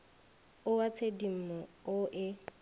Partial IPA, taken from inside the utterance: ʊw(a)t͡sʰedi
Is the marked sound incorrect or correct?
correct